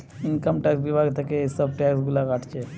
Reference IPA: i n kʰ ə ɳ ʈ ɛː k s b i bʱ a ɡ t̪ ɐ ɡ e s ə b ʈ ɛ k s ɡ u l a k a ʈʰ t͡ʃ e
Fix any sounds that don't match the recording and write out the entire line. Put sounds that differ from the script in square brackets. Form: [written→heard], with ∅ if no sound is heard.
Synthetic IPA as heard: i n [kʰ→k] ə [ɳ→m] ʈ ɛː k s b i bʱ a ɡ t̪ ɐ [ɡ→k] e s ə b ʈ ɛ k s ɡ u l a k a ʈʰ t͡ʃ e